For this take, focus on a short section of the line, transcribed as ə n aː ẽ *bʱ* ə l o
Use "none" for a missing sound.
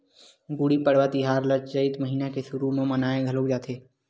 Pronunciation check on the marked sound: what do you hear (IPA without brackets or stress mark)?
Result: ɡʱ